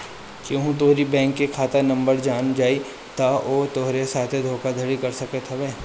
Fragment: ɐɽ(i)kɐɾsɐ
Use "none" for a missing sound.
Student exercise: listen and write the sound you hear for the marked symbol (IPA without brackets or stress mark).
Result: i